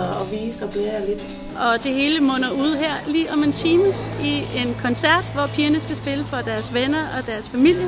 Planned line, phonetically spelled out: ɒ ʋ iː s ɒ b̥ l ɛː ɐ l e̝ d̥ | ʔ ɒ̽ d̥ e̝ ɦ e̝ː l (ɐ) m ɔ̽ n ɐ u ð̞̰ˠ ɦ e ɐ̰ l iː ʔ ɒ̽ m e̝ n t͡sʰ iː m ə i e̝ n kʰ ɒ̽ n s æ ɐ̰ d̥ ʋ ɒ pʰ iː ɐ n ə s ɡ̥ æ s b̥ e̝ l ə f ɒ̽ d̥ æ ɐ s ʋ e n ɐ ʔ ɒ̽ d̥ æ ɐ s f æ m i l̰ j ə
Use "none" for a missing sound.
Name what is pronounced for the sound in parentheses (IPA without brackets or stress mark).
ə